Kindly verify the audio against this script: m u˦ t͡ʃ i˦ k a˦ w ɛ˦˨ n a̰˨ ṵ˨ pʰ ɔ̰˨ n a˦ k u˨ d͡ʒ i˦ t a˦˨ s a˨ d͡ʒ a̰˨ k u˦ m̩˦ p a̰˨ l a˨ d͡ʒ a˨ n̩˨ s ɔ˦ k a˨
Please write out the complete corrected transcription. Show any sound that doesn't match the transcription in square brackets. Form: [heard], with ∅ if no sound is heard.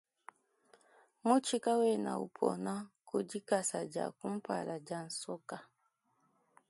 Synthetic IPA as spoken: m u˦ t͡ʃ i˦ k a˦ w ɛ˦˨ n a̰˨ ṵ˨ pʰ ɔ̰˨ n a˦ k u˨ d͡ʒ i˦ [k] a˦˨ s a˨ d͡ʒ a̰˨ k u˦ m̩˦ p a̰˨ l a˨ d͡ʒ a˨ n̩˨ s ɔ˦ k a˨

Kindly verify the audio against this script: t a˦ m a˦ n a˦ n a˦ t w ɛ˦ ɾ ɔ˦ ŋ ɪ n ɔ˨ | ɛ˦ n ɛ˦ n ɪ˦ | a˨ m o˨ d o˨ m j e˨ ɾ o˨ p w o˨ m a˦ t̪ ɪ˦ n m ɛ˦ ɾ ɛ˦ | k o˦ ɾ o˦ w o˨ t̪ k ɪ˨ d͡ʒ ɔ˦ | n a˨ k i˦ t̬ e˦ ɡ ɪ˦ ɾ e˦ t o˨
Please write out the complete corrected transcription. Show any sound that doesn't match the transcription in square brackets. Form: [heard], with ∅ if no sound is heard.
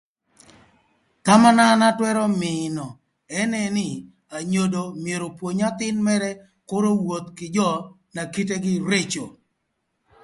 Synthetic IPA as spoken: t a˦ m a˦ n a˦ n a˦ t w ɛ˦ ɾ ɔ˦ [m] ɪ n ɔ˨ | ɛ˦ n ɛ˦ n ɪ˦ | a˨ [ɲ] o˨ d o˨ m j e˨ ɾ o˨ p w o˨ [ɲ] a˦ t̪ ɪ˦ n m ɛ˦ ɾ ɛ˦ | k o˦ ɾ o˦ w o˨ t̪ k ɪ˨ d͡ʒ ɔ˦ | n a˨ k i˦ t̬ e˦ ɡ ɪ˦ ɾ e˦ [t͡ʃ] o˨

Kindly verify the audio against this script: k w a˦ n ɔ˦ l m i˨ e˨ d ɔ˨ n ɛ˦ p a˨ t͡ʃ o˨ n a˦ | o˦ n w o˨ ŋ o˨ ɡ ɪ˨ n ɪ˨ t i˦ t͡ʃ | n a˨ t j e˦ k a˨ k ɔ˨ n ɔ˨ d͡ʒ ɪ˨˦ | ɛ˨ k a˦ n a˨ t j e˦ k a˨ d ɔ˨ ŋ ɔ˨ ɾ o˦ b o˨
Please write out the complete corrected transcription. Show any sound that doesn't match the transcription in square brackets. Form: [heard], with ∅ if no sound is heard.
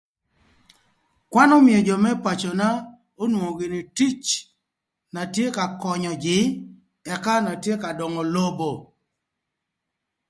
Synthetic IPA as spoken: k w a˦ n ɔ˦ [∅] m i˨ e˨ [d͡ʒ] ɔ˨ [m] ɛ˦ p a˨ t͡ʃ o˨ n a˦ | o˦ n w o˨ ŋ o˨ ɡ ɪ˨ n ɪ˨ t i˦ t͡ʃ | n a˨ t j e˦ k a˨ k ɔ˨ [ɲ] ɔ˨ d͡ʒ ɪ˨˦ | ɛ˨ k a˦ n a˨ t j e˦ k a˨ d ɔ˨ ŋ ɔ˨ [l] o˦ b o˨

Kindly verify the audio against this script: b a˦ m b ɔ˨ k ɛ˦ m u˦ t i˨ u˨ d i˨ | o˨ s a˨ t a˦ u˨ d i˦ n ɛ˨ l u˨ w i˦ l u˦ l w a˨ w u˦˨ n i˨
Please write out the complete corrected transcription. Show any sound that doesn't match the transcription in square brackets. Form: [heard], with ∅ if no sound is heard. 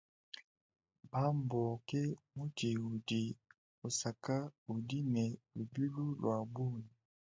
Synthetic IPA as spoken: b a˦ m b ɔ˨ k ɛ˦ m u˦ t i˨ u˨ d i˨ | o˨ s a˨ [k] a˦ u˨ d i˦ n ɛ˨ l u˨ [b] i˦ l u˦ l w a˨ [b] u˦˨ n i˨

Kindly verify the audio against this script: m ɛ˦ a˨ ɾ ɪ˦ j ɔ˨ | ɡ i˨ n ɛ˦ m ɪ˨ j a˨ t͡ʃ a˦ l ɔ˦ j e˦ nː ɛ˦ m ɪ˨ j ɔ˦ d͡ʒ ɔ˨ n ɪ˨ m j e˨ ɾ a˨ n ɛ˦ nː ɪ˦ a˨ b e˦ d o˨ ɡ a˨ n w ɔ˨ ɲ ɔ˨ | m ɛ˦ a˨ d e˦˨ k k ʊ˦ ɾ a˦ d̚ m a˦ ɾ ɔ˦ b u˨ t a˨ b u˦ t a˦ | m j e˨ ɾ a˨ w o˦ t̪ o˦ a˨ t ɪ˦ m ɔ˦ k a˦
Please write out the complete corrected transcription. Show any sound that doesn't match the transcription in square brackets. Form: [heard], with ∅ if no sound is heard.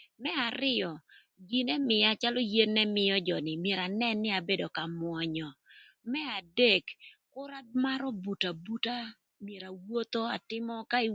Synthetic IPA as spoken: m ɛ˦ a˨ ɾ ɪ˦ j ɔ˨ | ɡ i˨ n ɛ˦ m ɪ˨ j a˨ t͡ʃ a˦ l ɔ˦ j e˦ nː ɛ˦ m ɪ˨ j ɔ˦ d͡ʒ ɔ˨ n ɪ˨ m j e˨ ɾ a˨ n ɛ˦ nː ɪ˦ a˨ b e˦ d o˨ [k] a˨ [m] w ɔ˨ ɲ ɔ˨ | m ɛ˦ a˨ d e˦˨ k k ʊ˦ ɾ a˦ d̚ m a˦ ɾ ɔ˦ b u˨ t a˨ b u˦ t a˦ | m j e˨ ɾ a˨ w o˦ t̪ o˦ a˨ t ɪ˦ m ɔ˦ k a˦

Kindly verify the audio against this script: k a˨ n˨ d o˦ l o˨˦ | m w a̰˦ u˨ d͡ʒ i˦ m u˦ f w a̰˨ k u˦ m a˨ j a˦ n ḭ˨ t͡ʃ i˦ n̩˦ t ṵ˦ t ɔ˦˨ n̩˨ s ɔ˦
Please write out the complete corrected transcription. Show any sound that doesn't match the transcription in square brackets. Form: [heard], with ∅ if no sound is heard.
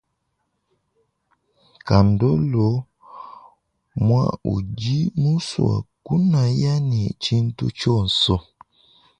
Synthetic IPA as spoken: k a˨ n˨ d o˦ l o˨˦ | m w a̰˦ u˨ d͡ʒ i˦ m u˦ [s] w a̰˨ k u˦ [n] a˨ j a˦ n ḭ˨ t͡ʃ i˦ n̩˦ t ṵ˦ [t͡ʃ] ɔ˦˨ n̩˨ s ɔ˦

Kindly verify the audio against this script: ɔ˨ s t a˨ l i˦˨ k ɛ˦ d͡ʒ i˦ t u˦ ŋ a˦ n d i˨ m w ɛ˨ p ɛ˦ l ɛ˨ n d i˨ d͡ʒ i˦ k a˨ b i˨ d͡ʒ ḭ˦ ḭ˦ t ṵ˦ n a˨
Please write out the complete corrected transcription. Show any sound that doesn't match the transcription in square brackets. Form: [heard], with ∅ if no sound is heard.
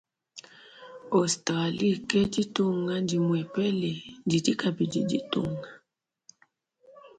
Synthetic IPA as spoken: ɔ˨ s t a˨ l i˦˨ k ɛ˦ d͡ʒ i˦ t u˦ ŋ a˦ n d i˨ m w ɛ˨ p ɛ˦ l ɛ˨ n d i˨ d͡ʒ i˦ k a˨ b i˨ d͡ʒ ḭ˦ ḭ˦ t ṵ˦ [ŋ] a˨

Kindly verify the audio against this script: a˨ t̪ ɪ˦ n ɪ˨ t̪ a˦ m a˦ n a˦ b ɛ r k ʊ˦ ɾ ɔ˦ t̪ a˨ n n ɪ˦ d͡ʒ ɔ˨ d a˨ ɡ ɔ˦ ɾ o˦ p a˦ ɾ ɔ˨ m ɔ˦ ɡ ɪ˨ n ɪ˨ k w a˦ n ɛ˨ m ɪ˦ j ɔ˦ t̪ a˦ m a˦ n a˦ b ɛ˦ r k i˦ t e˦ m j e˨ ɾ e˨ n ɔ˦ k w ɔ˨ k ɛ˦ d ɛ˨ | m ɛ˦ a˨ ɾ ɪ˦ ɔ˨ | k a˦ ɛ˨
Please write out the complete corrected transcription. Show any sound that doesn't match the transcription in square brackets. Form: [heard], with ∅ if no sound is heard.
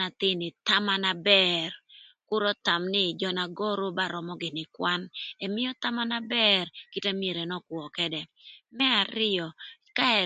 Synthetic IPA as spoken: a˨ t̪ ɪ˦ n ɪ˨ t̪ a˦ m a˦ n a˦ b ɛ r k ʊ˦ ɾ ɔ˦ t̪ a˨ [m] n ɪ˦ d͡ʒ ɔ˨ [n] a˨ ɡ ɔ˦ ɾ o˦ [b] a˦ ɾ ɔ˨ m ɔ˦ ɡ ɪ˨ n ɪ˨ k w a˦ n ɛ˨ m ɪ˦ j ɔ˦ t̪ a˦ m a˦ n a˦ b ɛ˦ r k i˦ t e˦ m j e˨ ɾ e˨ n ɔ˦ k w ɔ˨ k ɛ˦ d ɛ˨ | m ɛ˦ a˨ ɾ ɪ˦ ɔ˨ | k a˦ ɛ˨

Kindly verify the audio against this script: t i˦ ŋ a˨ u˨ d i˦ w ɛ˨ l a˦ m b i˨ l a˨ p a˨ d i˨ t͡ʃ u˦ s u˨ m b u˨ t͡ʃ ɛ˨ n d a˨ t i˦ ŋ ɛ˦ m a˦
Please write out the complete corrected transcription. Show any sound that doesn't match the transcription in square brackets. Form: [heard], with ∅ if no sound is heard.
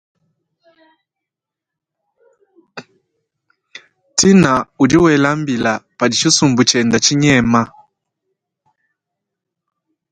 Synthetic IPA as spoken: t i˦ [n] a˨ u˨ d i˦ w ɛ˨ l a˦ m b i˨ l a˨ p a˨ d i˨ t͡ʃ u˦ s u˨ m b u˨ t͡ʃ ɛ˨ n d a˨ [t͡ʃ] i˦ [ɲ] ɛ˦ m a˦

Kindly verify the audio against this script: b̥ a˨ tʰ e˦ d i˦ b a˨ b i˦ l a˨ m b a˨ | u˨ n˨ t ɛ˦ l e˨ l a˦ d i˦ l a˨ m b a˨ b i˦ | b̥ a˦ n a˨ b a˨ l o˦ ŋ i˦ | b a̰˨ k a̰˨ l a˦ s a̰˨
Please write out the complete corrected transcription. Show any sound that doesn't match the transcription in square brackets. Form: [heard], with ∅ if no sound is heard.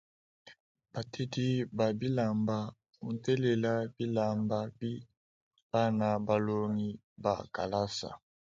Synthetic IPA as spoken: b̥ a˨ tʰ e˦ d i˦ b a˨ b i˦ l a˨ m b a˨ | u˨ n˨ t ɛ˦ l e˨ l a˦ [b] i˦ l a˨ m b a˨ b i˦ | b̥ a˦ n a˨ b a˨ l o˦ ŋ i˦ | b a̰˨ k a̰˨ l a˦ s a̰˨

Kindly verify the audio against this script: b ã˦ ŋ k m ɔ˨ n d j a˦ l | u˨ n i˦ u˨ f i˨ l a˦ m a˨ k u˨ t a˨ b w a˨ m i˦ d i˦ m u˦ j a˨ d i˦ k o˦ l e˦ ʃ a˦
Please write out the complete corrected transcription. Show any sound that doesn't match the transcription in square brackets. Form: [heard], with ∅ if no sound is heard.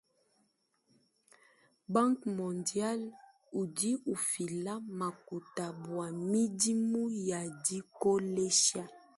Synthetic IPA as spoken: b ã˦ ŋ k m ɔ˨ n d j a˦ l | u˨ [d] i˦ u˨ f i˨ l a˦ m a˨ k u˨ t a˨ b w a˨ m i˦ d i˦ m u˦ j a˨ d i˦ k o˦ l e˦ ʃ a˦

